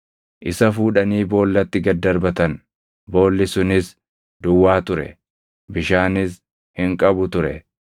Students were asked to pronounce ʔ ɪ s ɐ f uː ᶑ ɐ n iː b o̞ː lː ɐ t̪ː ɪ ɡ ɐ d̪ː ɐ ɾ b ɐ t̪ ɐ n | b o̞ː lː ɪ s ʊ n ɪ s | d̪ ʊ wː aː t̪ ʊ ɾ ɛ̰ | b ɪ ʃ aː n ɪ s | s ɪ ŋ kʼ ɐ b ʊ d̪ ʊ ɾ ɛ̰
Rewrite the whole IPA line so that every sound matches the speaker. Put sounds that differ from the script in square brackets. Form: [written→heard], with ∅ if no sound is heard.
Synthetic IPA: ʔ ɪ s ɐ f uː ᶑ ɐ n iː b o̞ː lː ɐ t̪ː ɪ ɡ ɐ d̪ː ɐ ɾ b ɐ t̪ ɐ n | b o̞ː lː ɪ s ʊ n ɪ s | d̪ ʊ wː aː t̪ ʊ ɾ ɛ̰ | b ɪ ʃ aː n ɪ s | [s→h] ɪ ŋ kʼ ɐ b ʊ [d̪→t̪] ʊ ɾ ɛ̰